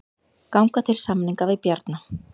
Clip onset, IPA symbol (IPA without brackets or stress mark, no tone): k